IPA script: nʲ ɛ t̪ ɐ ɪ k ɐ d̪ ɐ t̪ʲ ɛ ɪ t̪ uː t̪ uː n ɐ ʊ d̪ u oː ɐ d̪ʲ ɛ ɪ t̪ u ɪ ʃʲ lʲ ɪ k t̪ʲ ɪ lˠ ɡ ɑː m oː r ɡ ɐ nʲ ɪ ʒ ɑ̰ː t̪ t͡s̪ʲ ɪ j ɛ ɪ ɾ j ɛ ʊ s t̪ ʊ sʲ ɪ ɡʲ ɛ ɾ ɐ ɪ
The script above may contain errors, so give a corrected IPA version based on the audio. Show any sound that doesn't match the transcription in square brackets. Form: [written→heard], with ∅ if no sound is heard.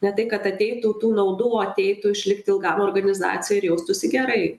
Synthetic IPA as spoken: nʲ ɛ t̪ ɐ ɪ k ɐ [d̪→t̪] ɐ t̪ʲ ɛ ɪ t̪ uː t̪ uː n ɐ ʊ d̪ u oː ɐ [d̪ʲ→t̪ʲ] ɛ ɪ t̪ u ɪ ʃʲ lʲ ɪ k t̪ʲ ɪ lˠ ɡ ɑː m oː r ɡ ɐ nʲ ɪ [ʒ→z] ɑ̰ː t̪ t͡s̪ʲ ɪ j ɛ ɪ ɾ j ɛ ʊ s t̪ ʊ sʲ ɪ ɡʲ ɛ ɾ ɐ ɪ